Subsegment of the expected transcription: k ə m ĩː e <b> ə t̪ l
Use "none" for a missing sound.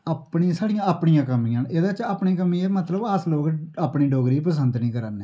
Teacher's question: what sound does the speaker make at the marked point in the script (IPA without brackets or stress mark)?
m